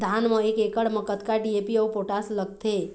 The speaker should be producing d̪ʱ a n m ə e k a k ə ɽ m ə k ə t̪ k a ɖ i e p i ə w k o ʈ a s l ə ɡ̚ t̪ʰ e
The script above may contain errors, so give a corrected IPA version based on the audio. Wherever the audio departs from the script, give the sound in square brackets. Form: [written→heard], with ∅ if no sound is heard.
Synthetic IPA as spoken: d̪ʱ a n m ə e k [a→e] k ə ɽ m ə k ə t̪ k a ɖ i e p i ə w [k→p] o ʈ a s l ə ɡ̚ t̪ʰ e